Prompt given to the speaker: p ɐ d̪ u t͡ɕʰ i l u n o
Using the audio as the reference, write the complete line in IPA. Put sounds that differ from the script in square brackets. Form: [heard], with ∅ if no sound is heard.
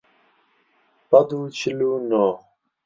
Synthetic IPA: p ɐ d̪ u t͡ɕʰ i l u n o

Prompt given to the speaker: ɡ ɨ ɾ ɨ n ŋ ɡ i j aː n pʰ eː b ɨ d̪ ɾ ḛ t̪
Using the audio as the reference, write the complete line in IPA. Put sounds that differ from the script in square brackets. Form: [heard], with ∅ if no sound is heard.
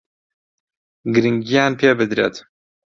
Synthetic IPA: ɡ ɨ ɾ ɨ [∅] ŋ ɡ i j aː n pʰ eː b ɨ d̪ ɾ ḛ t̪

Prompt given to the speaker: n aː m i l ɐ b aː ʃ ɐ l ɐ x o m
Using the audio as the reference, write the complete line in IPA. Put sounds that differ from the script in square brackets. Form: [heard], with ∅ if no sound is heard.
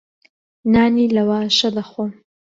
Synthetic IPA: n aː [n] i l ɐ [w] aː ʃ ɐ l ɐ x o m

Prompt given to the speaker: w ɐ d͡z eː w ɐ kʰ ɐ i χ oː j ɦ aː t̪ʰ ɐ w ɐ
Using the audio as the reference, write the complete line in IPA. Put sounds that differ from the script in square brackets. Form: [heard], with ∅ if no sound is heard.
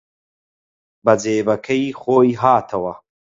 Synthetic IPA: [b] ɐ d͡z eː [b] ɐ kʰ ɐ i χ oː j ɦ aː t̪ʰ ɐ w ɐ

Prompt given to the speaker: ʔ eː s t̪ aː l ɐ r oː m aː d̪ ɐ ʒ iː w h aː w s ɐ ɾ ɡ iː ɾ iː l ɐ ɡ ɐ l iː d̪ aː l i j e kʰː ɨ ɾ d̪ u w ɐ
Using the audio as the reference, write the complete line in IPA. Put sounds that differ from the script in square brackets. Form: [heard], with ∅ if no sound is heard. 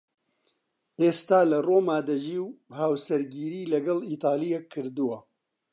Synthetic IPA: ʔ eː s t̪ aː l ɐ r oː m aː d̪ ɐ ʒ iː w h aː w s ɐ ɾ ɡ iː ɾ iː l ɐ ɡ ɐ l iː [t̪] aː l i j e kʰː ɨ ɾ d̪ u w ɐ

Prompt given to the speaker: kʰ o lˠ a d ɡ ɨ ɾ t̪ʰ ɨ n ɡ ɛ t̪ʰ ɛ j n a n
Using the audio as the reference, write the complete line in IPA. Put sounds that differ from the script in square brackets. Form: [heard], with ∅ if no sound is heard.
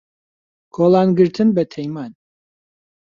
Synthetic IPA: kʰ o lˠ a [n] ɡ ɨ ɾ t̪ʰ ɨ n [b] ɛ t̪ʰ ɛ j [m] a n

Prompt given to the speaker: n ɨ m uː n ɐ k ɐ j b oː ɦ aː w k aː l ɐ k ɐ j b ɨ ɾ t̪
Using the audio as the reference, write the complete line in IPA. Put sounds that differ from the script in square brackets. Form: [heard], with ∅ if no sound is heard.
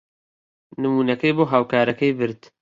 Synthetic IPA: n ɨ m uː n ɐ k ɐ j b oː ɦ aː w k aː [ɾ] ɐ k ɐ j b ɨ ɾ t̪

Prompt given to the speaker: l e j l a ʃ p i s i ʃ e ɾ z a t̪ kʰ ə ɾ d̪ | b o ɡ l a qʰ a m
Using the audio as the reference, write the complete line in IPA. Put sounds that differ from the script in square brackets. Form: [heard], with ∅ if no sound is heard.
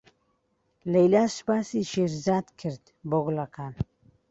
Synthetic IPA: l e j l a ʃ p [a] s i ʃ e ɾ z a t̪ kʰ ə ɾ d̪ | b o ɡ l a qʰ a [n]

